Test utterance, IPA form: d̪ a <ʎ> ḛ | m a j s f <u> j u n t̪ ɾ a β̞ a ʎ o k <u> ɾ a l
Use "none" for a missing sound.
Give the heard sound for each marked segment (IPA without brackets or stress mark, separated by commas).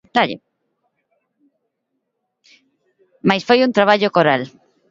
ʎ, o, o